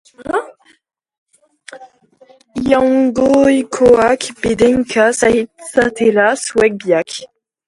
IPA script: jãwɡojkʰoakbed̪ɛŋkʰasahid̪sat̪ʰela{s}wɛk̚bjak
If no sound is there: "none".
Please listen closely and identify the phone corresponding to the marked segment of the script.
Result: s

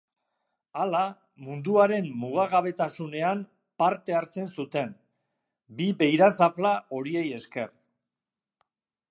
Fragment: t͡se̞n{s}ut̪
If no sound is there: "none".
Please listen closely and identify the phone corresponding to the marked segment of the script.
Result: s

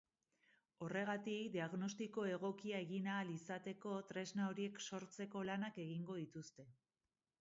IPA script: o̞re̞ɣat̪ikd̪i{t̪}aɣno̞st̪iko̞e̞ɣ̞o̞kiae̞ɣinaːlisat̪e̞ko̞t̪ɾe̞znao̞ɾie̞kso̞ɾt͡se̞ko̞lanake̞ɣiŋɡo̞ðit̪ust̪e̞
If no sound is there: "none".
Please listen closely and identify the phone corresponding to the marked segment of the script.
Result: none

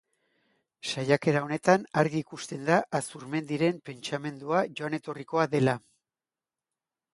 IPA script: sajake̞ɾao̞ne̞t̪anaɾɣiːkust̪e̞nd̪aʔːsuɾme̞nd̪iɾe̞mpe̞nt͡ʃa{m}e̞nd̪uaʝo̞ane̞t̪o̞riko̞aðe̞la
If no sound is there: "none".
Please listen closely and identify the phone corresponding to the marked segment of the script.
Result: m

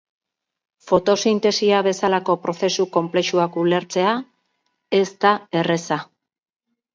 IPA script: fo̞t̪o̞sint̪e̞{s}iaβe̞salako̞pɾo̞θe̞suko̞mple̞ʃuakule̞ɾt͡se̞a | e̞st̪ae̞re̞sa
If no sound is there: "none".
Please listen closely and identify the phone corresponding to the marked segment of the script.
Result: s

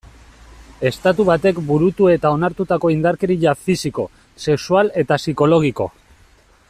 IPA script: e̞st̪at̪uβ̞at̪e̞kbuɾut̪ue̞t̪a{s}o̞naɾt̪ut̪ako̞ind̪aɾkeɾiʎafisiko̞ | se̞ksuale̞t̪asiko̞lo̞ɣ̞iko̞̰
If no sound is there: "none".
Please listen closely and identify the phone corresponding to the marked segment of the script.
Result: none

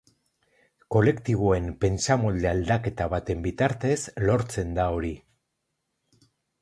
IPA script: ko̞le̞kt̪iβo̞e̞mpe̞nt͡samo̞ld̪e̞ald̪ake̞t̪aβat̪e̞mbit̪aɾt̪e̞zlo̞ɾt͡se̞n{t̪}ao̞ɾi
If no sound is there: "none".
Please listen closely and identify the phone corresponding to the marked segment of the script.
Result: d̪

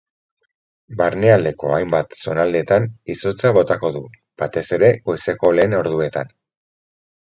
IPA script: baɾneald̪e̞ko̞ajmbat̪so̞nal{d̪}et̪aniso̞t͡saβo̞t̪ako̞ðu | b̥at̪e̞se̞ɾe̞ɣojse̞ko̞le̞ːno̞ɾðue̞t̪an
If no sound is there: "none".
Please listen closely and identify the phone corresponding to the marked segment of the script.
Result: d̪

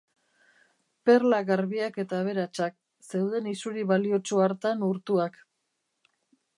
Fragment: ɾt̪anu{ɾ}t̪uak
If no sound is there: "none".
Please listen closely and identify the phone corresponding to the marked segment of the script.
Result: ɾ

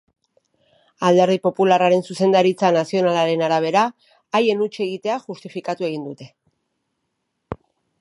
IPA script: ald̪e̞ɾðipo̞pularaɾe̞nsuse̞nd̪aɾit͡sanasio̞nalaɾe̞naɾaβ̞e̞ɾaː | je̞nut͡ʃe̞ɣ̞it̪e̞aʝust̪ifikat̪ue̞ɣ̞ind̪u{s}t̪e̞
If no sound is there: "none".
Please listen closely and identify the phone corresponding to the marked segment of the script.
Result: none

